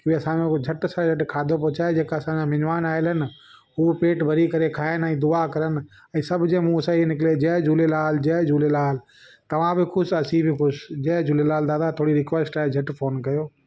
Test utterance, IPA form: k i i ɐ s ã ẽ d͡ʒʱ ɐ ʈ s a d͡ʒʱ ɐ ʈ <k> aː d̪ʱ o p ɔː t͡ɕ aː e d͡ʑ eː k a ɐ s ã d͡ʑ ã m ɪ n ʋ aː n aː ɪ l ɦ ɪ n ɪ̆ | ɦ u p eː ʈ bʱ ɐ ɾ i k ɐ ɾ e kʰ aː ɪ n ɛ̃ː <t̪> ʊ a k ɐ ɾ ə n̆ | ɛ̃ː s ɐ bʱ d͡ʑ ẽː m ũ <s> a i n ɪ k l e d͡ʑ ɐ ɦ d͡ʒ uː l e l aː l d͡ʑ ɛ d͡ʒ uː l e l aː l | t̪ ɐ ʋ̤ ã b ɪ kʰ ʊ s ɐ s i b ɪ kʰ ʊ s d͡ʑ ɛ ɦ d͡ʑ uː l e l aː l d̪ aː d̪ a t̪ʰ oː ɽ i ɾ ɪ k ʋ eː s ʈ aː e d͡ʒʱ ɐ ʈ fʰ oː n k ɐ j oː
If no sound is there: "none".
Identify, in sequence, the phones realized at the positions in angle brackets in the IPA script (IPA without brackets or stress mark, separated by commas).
kʰ, d̪, s